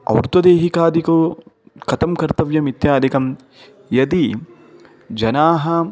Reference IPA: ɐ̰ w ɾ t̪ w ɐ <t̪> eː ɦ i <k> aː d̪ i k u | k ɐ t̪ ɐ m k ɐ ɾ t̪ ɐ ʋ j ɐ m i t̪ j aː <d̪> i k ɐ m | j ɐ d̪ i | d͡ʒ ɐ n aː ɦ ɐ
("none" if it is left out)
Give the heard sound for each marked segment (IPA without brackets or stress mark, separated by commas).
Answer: d̪, k, d̪